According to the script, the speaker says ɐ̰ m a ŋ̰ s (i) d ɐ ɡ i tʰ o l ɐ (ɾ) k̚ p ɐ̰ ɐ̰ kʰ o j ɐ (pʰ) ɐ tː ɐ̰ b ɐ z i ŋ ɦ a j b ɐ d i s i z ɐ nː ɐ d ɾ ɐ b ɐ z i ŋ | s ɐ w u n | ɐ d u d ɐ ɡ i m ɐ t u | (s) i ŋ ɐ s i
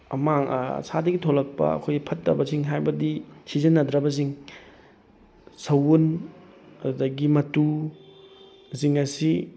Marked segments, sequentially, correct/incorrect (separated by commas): incorrect, incorrect, correct, incorrect